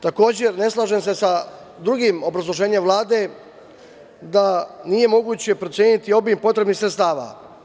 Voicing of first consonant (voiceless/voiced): voiceless